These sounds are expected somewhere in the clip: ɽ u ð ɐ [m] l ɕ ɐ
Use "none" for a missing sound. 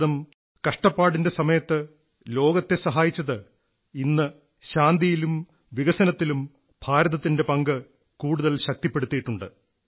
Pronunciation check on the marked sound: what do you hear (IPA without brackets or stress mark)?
none